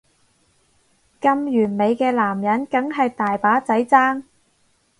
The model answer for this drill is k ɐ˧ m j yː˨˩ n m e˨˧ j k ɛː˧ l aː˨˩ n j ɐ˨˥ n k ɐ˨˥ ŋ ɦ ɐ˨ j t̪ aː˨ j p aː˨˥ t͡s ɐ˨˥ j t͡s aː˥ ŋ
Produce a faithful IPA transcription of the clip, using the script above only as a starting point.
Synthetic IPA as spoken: k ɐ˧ m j yː˨˩ n m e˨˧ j k ɛː˧ l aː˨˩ m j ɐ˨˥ n k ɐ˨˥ ŋ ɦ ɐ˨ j t̪ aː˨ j p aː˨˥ t͡s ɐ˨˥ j t͡s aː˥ ŋ

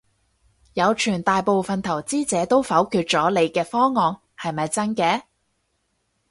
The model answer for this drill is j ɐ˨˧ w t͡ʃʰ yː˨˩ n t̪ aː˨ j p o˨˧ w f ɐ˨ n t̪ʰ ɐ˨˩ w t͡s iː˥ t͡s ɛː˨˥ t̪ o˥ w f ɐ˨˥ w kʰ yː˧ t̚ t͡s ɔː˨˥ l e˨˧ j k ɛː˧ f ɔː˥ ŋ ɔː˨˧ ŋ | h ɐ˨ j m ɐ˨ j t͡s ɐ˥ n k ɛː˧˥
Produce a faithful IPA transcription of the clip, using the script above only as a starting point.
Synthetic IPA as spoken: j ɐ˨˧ w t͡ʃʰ yː˨˩ n t̪ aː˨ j p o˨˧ w f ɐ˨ n t̪ʰ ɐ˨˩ w t͡s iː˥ t͡s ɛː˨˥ t̪ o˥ w f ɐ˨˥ w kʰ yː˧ t̚ t͡s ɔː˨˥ l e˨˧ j k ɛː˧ f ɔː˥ ŋ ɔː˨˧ ŋ | h ɐ˨ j m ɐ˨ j t͡s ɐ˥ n k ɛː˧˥

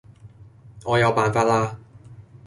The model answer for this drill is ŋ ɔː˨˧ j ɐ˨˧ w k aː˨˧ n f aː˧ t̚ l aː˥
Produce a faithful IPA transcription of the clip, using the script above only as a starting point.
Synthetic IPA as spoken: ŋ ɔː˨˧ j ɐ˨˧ w p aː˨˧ n f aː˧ t̚ l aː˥

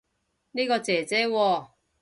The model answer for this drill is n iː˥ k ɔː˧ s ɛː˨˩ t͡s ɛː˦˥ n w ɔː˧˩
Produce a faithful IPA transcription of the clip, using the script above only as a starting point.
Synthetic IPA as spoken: n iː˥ k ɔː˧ t͡s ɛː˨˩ t͡s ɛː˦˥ w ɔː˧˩

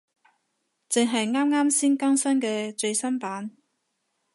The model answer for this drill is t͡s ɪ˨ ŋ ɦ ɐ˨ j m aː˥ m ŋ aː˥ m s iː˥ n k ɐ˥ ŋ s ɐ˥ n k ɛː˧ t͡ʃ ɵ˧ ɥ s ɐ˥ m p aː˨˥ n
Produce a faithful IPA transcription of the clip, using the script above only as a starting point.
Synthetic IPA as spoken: t͡s ɪ˨ ŋ ɦ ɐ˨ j ŋ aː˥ m ŋ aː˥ m s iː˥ n k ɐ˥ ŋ s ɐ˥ n k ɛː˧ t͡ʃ ɵ˧ ɥ s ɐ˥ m p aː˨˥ n

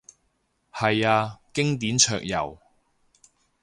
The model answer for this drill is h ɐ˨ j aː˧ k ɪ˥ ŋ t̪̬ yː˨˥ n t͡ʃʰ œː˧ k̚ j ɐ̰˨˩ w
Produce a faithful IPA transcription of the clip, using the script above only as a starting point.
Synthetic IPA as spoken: h ɐ˨ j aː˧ k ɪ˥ ŋ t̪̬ iː˨˥ n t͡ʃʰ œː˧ k̚ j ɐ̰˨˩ w

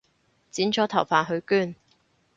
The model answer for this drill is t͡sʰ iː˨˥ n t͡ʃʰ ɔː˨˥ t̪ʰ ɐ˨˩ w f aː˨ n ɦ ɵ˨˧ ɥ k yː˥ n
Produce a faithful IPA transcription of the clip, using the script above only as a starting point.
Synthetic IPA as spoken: t͡s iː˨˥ n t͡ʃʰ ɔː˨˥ t̪ʰ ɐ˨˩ w f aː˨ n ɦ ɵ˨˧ ɥ k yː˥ n

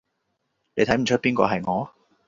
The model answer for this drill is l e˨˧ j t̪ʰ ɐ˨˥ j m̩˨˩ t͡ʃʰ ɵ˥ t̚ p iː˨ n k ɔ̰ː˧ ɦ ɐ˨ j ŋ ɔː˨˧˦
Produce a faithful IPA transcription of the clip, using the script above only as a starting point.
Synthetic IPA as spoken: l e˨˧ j t̪ʰ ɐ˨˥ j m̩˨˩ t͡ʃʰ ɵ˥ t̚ p iː˥ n k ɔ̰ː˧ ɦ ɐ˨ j ŋ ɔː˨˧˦

